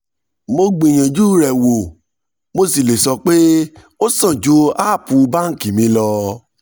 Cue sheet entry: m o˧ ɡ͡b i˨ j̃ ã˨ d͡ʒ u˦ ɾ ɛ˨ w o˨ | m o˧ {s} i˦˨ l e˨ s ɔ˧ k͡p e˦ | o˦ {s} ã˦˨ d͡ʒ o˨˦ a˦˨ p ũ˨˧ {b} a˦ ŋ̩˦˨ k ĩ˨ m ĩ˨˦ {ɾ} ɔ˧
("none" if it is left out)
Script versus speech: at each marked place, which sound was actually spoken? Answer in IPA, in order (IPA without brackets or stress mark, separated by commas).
s, s, b, l